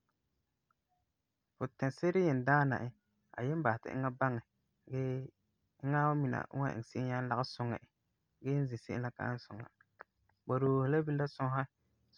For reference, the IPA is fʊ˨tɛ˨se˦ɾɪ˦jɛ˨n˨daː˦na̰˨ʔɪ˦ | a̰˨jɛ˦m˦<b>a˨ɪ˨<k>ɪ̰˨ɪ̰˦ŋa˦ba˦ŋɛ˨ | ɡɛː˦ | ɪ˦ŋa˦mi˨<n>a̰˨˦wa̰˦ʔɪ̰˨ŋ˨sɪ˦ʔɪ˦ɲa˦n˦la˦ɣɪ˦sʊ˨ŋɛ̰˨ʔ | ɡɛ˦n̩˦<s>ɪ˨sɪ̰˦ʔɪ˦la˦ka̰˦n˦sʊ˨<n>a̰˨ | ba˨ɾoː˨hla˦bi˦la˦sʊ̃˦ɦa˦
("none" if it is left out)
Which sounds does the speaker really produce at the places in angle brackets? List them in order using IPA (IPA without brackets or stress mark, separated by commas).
b, t, n, z, ŋ